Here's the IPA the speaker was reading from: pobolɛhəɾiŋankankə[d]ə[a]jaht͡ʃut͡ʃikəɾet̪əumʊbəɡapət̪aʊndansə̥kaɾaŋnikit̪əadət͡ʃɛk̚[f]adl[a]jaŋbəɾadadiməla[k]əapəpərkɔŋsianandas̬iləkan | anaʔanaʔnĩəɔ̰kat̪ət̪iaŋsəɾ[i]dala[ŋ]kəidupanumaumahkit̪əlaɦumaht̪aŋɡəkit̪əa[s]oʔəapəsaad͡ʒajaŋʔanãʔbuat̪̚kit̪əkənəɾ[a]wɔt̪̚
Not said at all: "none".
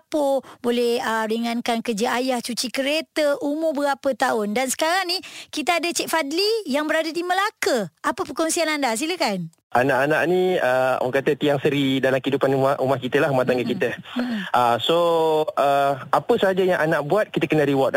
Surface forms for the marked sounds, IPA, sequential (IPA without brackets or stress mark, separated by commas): d͡ʒ, a, f, i, k, i, m, s, i